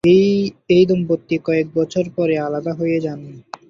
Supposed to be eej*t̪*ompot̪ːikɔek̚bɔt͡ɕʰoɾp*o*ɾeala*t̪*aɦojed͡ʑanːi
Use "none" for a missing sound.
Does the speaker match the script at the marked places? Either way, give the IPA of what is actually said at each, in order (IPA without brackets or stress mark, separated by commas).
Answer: d̪, ɔ, d̪